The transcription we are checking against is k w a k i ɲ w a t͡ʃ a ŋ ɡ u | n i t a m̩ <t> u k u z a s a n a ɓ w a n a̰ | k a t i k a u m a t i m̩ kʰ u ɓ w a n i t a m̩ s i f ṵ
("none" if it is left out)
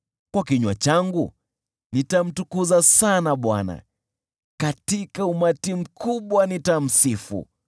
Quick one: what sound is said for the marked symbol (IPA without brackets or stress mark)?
t